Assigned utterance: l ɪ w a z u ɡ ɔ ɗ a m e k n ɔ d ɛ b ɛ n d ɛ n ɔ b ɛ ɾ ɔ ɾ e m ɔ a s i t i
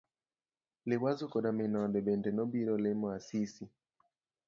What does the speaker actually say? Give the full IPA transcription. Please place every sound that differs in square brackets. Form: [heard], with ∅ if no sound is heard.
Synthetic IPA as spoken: l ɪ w a z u [k] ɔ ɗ a m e [∅] n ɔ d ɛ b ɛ n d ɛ n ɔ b [i] ɾ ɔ [l] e m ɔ a s i [s] i